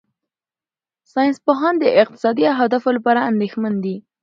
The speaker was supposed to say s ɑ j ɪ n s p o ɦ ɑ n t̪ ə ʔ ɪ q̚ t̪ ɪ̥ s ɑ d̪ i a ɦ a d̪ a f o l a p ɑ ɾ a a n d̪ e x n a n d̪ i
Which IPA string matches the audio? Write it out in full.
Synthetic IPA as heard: s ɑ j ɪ n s p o ɦ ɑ n d̪ ə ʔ ɪ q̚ t̪ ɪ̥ s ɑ d̪ i a ɦ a d̪ a f o l a p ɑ ɾ a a n d̪ e x m a n d̪ i